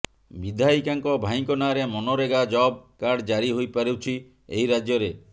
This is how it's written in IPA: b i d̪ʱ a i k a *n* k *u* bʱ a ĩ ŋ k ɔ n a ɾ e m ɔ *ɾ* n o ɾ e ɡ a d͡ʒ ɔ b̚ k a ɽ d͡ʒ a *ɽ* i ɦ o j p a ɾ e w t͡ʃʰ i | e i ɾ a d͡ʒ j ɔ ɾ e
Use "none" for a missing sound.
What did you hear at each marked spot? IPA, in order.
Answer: ŋ, ɔ, none, ɾ

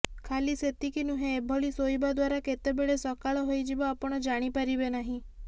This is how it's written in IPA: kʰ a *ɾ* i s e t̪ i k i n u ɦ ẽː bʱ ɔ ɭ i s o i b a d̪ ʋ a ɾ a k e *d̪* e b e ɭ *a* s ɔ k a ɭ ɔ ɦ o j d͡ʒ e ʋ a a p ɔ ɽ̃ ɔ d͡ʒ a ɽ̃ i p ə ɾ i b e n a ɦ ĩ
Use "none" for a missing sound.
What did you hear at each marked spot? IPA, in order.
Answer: l, t̪, e

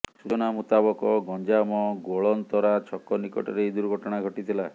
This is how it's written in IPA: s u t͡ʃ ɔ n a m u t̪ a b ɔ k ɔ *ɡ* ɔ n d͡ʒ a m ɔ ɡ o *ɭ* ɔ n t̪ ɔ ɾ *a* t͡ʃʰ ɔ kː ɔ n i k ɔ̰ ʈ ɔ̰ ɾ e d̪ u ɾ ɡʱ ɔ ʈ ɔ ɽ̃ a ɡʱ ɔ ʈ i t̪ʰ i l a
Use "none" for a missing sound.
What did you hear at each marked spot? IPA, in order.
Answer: ɡ, ɭ, a

